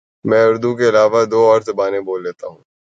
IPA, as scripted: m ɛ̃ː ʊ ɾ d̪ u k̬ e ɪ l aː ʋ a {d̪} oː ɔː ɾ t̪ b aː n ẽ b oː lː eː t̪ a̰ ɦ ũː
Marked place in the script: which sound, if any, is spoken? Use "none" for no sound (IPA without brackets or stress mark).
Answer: d̪